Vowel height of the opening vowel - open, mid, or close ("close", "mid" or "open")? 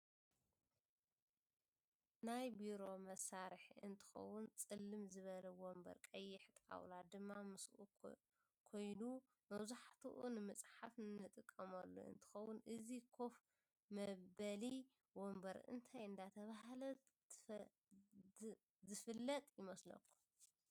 open